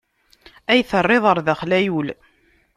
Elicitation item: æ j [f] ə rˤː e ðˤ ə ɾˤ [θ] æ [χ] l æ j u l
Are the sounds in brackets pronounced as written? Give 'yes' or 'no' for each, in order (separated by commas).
no, no, yes